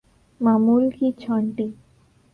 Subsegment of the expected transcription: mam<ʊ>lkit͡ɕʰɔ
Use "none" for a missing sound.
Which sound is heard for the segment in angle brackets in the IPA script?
u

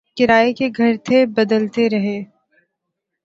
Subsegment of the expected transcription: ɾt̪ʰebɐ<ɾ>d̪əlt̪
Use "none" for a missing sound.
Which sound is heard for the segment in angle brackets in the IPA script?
none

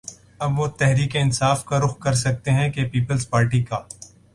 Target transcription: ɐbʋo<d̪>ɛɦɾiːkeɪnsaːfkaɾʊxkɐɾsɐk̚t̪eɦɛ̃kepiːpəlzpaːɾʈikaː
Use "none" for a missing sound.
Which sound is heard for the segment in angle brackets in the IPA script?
t̪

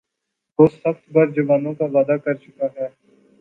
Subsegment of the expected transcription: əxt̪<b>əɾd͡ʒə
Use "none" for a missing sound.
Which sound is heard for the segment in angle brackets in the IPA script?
b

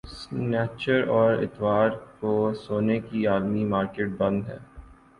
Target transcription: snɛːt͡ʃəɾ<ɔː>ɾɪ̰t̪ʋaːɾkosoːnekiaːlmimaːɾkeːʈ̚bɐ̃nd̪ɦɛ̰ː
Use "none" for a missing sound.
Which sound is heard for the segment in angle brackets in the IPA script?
ɔː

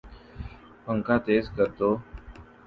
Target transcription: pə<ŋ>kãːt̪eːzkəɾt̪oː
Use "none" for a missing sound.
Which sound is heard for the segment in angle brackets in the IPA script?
ŋ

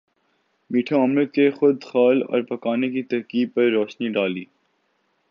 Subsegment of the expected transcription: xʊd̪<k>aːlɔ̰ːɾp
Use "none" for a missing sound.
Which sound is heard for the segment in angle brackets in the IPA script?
x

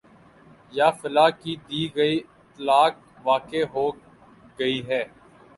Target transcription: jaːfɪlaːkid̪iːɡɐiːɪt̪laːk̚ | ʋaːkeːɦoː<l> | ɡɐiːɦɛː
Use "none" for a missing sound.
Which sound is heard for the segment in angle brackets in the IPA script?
none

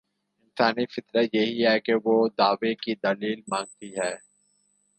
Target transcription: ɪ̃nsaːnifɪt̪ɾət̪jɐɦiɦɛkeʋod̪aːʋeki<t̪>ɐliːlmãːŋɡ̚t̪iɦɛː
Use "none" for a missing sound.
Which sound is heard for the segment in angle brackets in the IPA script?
d̪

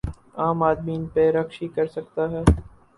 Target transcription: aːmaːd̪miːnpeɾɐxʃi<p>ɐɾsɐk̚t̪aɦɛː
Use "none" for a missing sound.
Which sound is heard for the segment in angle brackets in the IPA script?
k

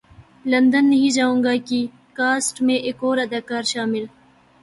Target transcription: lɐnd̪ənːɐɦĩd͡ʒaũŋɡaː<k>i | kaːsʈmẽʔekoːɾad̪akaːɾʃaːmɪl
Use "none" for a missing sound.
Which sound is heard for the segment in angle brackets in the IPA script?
k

